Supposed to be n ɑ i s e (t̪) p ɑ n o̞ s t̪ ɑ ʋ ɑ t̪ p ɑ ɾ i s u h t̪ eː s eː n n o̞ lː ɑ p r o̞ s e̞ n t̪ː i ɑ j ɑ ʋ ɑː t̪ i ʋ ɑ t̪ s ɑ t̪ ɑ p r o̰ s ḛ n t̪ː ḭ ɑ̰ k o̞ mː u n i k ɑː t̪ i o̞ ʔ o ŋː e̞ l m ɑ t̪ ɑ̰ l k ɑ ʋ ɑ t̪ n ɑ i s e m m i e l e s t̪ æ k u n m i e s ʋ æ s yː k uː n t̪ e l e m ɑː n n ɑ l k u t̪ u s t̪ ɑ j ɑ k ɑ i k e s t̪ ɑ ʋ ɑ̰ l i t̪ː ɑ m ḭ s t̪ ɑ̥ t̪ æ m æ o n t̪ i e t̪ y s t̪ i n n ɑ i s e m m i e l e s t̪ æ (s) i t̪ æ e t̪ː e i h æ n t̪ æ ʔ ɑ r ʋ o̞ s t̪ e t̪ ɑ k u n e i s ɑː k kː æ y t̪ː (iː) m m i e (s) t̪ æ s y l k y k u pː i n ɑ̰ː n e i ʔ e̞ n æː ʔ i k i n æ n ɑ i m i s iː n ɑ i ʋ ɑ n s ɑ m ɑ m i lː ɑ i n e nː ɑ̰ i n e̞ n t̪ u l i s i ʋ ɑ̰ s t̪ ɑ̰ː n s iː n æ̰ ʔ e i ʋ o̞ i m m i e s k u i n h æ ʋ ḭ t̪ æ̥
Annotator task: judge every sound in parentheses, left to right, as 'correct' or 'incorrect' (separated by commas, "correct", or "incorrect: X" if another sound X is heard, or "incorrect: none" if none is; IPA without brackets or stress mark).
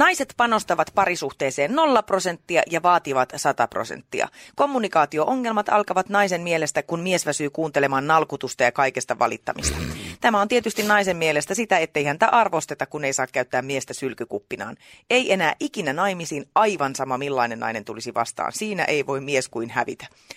correct, correct, incorrect: æː, correct